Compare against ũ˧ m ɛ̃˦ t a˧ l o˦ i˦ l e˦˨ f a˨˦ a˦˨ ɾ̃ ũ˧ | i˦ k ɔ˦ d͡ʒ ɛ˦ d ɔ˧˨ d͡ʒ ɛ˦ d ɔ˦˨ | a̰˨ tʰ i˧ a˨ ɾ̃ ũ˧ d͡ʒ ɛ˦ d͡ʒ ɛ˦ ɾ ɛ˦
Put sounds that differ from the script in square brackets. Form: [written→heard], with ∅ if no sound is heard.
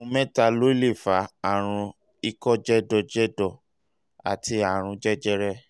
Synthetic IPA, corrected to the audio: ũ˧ m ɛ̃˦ t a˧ l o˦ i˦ l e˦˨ f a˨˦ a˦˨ ɾ̃ ũ˧ | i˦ k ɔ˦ d͡ʒ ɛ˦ d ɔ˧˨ d͡ʒ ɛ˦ d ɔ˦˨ | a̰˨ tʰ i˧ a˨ ɾ̃ ũ˧ d͡ʒ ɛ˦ d͡ʒ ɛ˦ ɾ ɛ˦